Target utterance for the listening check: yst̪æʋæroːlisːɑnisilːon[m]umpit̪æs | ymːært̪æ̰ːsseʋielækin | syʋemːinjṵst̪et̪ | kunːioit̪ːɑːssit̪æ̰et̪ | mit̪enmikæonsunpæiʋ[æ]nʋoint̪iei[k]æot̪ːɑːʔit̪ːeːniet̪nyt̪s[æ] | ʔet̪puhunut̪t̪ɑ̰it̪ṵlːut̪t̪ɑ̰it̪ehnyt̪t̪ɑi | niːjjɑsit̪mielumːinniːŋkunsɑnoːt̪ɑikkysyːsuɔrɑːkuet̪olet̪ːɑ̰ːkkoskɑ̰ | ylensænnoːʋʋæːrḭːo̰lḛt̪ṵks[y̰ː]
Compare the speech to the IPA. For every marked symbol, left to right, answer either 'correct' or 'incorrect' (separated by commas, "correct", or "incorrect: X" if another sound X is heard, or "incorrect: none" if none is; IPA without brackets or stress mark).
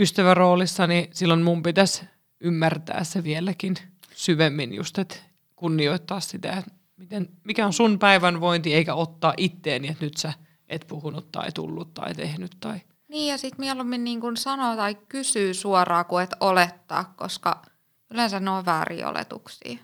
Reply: correct, correct, correct, correct, incorrect: ḭː